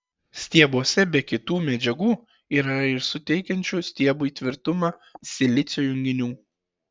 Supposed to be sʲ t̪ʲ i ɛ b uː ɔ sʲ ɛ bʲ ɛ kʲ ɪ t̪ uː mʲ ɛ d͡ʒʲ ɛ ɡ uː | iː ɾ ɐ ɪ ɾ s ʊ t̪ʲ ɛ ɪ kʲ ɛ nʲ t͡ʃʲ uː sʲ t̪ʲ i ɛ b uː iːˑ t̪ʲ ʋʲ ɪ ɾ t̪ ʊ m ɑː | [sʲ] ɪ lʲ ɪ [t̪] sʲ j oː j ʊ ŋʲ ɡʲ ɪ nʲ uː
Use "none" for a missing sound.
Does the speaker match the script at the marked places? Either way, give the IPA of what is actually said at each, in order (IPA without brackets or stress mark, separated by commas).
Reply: sʲ, t̪